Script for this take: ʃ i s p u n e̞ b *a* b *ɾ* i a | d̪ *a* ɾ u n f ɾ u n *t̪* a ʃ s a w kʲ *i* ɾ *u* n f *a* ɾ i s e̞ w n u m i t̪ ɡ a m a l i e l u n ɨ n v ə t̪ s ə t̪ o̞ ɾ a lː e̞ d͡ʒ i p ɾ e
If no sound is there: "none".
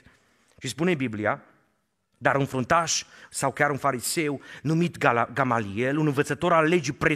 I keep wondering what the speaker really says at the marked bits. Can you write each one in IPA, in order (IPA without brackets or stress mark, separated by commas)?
i, l, a, t̪, a, u, a